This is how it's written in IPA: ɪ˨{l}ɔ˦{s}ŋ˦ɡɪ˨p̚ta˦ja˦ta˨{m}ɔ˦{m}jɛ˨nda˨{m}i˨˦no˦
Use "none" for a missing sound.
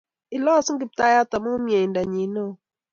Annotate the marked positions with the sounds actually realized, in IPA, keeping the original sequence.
l, s, m, m, ɲ

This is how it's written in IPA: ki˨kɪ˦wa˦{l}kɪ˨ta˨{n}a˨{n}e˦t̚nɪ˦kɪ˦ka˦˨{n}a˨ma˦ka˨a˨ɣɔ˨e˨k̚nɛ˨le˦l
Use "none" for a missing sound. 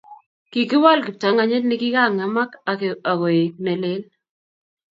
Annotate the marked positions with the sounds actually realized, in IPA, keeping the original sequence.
l, ŋ, ɲ, ŋ

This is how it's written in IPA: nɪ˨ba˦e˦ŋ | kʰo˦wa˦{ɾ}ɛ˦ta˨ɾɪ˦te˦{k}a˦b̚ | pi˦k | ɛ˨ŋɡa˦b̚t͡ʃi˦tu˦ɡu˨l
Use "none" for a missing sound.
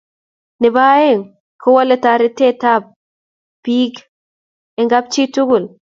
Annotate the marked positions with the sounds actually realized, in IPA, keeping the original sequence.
l, t

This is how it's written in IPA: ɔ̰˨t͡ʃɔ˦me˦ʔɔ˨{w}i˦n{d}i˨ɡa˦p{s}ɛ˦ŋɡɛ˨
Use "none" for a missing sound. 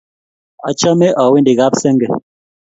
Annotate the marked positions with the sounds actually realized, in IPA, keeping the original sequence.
w, d, s

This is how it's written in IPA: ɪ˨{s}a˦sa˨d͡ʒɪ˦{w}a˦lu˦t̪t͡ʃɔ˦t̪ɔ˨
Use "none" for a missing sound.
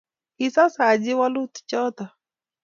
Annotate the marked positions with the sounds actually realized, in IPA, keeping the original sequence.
s, w

